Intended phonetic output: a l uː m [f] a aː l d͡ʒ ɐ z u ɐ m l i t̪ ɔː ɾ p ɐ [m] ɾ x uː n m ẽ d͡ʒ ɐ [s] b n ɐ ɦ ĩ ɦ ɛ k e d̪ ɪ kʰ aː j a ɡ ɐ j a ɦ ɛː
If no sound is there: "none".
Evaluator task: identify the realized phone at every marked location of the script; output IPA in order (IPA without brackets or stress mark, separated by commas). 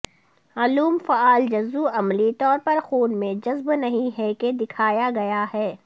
f, none, z